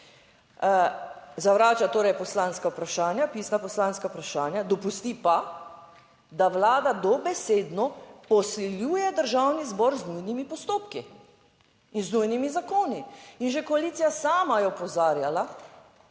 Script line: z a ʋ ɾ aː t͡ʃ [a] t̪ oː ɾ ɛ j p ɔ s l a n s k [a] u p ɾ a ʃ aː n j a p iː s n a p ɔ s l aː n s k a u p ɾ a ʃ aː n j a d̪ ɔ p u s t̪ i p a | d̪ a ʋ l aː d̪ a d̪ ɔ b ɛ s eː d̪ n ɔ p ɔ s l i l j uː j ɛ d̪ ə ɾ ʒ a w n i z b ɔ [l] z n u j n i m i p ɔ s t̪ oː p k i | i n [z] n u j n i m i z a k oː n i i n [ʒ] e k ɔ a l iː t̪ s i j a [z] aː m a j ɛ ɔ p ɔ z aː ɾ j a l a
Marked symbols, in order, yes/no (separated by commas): yes, yes, no, yes, yes, no